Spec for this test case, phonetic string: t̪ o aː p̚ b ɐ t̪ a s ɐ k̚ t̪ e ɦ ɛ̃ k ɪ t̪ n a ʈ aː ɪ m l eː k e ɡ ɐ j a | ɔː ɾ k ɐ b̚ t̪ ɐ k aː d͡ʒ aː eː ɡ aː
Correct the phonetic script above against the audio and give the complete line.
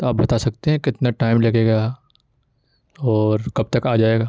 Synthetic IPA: t̪ o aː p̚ b ɐ t̪ a s ɐ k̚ t̪ e ɦ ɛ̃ k ɪ t̪ n a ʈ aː ɪ m l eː k e ɡ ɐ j a | ɔː ɾ k ɐ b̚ t̪ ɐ k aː d͡ʒ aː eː ɡ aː

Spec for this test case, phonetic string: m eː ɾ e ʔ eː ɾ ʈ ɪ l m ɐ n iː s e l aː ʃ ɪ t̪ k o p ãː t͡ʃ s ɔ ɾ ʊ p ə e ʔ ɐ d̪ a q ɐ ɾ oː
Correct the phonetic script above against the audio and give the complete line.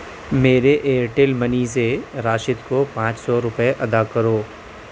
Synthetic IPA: m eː ɾ e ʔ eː ɾ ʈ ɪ l m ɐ n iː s e ɾ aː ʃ ɪ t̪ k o p ãː t͡ʃ s ɔ ɾ ʊ p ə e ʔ ɐ d̪ a k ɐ ɾ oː

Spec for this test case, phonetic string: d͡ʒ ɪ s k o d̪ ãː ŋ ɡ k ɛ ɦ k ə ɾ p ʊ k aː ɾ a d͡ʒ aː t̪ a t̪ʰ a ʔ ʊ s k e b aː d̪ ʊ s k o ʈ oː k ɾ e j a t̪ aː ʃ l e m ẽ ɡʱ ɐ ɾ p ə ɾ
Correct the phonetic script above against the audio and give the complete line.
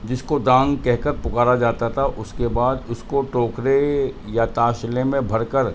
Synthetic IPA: d͡ʒ ɪ s k o d̪ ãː ŋ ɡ k ɛ ɦ k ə ɾ p ʊ k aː ɾ a d͡ʒ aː t̪ a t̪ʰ a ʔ ʊ s k e b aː d̪ ʊ s k o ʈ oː k ɾ e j a t̪ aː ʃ l e m ẽ bʱ ɐ ɾ k ə ɾ

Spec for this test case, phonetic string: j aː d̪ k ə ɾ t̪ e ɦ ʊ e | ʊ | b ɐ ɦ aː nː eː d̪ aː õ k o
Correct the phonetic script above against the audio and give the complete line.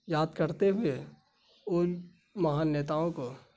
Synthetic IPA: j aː d̪ k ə ɾ t̪ e ɦ ʊ e | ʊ | m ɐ ɦ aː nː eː t̪ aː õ k o

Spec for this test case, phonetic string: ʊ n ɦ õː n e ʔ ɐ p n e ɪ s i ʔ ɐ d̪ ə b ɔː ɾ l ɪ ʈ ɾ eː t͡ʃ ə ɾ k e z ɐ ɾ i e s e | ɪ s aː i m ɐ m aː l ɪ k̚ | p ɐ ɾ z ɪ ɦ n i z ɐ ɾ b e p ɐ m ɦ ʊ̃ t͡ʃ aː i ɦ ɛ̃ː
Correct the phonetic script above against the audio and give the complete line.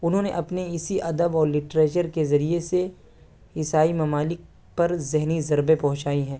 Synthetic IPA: ʊ n ɦ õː n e ʔ ɐ p n e ɪ s i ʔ ɐ d̪ ə b ɔː ɾ l ɪ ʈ ɾ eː t͡ʃ ə ɾ k e z ɐ ɾ i e s e | ɪ s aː i m ɐ m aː l ɪ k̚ | p ɐ ɾ z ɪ ɦ n i z ɐ ɾ b e p ɐ ɦ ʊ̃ t͡ʃ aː i ɦ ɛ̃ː

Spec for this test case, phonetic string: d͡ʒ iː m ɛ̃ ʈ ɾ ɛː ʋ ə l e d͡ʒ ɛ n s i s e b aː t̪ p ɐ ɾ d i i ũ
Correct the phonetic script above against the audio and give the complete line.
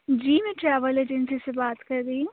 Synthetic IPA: d͡ʒ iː m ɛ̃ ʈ ɾ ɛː ʋ ə l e d͡ʒ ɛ n s i s e b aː t̪ k ɐ ɾ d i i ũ

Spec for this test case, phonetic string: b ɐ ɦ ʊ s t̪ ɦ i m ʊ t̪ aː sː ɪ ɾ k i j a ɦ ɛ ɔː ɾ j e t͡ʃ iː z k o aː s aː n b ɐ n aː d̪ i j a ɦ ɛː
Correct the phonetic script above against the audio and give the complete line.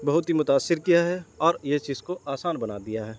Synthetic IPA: b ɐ ɦ ʊ t̪ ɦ i m ʊ t̪ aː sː ɪ ɾ k i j a ɦ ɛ ɔː ɾ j e t͡ʃ iː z k o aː s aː n b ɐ n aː d̪ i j a ɦ ɛː

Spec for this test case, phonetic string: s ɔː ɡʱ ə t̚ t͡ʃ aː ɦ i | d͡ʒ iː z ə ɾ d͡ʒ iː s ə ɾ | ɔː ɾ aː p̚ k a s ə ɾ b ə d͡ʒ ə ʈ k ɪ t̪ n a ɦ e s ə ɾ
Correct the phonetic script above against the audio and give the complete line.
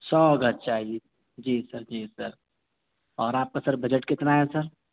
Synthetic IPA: s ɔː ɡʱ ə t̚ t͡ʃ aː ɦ i | d͡ʒ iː s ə ɾ d͡ʒ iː s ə ɾ | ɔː ɾ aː p̚ k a s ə ɾ b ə d͡ʒ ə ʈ k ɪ t̪ n a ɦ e s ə ɾ

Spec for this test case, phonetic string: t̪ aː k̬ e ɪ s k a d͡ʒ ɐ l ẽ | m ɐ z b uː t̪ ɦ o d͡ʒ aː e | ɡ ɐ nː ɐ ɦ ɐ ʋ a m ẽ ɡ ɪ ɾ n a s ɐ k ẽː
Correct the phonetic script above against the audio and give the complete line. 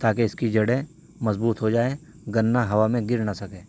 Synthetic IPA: t̪ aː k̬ e ɪ s k i d͡ʒ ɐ ɽ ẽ | m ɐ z b uː t̪ ɦ o d͡ʒ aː e | ɡ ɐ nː a ɦ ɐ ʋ a m ẽ ɡ ɪ ɾ n a s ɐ k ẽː

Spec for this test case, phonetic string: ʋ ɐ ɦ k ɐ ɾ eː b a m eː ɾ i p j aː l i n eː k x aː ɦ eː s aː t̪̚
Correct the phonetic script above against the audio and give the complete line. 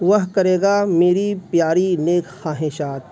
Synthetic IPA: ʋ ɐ ɦ k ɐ ɾ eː ɡ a m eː ɾ i p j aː ɾ i n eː k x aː ɦ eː ʃ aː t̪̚

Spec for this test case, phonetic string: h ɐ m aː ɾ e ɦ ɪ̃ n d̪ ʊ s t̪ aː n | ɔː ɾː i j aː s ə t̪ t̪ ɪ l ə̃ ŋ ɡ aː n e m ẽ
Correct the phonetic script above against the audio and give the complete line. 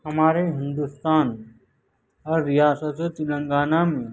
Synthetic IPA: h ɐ m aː ɾ e ɦ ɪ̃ n d̪ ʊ s t̪ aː n | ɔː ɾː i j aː s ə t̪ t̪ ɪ l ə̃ ŋ ɡ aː n a m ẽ

